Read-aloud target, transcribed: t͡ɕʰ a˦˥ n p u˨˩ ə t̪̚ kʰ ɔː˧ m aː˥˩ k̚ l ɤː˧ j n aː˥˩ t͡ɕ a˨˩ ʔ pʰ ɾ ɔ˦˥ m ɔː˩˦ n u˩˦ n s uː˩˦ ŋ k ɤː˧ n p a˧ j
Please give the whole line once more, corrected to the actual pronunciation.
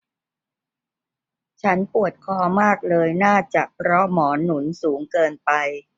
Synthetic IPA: t͡ɕʰ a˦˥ n p u˨˩ ə t̪̚ kʰ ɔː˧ m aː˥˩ k̚ l ɤː˧ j n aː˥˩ t͡ɕ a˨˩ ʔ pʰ ɾ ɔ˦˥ m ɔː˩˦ n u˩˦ n s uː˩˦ ŋ k ɤː˧ n p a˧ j